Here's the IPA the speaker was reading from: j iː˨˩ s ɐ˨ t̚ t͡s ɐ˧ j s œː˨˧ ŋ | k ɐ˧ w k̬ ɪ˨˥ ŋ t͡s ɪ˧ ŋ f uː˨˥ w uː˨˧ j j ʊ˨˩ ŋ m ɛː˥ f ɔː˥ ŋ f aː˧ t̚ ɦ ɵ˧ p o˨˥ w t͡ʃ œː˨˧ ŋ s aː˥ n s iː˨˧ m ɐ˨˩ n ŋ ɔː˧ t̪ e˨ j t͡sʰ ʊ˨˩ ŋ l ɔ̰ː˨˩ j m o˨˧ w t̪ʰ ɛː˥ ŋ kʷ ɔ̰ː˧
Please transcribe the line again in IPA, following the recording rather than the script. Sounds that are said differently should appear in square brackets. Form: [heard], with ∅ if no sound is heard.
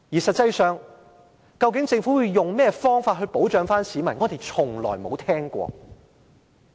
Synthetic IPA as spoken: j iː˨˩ s ɐ˨ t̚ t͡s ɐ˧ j s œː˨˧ ŋ | k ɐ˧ w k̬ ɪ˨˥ ŋ t͡s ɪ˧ ŋ f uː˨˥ w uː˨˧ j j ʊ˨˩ ŋ m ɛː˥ f ɔː˥ ŋ f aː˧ t̚ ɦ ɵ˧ p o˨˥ w t͡ʃ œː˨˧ ŋ [f] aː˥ n s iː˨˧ m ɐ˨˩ n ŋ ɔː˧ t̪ e˨ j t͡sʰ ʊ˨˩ ŋ l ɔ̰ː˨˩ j m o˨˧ w t̪ʰ ɛː˥ ŋ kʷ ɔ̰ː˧